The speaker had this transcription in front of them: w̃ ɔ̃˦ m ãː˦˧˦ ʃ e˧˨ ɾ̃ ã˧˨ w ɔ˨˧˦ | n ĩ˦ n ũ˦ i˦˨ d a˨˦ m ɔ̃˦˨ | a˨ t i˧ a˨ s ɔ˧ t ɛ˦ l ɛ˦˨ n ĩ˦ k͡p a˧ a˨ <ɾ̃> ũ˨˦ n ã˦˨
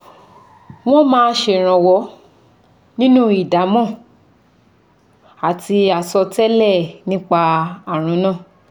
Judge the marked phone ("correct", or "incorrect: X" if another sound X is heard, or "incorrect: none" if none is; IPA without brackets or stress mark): correct